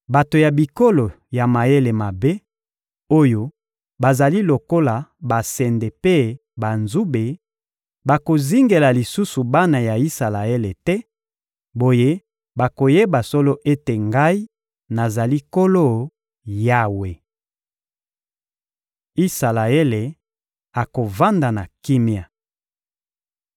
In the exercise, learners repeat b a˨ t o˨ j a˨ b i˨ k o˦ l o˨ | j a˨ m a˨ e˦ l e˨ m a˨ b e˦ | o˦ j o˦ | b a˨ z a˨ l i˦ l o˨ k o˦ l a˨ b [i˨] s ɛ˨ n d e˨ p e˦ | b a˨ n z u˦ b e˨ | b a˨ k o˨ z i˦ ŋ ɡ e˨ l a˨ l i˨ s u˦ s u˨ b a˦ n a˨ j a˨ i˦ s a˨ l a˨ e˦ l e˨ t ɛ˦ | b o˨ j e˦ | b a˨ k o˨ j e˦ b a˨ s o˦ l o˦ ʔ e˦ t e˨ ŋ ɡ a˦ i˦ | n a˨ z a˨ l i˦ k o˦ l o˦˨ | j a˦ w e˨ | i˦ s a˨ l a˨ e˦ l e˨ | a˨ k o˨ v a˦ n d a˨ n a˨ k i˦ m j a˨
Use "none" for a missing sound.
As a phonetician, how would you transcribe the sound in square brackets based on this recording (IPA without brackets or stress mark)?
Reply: a˨